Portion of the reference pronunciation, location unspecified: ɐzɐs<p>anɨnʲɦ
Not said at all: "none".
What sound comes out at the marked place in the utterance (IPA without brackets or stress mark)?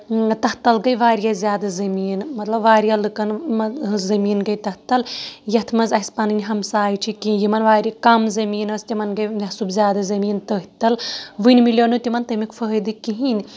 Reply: p